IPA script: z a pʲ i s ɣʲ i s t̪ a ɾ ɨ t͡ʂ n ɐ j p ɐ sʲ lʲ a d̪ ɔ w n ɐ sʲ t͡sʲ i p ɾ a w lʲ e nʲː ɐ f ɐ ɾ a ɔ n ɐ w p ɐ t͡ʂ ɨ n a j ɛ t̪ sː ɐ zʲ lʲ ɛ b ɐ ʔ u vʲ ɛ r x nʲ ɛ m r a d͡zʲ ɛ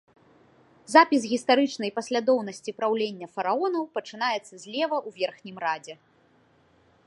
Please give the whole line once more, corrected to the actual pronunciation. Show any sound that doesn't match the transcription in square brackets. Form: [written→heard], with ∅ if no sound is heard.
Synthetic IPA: z a pʲ i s ɣʲ i s t̪ a ɾ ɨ t͡ʂ n ɐ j p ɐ sʲ lʲ a d̪ ɔ w n ɐ sʲ t͡sʲ i p ɾ a w lʲ e nʲː ɐ f ɐ ɾ a ɔ n ɐ w p ɐ t͡ʂ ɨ n a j ɛ t̪ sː ɐ zʲ lʲ ɛ [b→v] ɐ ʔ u vʲ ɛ r x nʲ [ɛ→i] m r a d͡zʲ ɛ